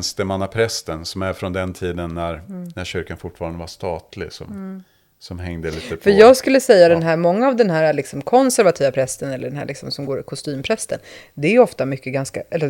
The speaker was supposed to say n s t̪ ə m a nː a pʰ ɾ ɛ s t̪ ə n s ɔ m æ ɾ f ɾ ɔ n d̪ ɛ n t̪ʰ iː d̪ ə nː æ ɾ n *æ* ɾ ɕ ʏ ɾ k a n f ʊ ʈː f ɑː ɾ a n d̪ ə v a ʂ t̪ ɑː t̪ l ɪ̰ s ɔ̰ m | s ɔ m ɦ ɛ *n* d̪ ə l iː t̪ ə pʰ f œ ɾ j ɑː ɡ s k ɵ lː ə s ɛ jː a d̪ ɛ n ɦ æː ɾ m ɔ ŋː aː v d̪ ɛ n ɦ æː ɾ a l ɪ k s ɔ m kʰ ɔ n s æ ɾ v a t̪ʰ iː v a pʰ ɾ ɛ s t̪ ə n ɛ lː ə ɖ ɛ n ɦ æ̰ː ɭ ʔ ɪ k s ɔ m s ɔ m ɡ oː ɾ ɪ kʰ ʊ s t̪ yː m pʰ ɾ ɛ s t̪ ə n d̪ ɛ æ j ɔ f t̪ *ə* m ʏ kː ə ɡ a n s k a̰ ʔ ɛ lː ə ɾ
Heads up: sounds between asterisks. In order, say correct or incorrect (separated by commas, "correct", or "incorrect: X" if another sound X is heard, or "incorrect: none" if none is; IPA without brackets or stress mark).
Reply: correct, incorrect: ŋ, incorrect: a